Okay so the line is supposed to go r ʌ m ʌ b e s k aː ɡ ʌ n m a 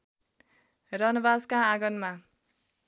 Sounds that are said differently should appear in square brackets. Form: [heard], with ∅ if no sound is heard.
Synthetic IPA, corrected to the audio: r ʌ [n] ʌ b [a] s k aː ɡ ʌ n m a